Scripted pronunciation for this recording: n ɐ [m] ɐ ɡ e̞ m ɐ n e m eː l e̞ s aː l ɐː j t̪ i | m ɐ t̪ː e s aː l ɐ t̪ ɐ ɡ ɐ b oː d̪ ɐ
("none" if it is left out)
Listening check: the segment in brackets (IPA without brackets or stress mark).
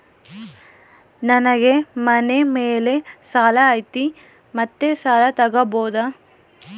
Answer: n